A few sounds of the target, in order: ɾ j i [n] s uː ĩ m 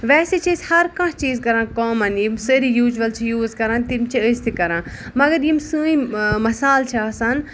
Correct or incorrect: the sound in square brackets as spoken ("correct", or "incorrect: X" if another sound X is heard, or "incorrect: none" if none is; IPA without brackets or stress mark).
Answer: incorrect: m